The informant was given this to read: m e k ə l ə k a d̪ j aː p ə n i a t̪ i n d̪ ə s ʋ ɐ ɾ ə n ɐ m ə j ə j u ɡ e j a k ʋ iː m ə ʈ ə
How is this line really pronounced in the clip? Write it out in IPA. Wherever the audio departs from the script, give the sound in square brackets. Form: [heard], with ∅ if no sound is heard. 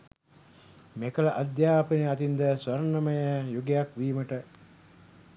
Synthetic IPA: m e k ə l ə [ʔ] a d̪ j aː p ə n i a t̪ i n d̪ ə s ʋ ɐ ɾ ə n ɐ m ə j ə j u ɡ e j a k ʋ iː m ə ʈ ə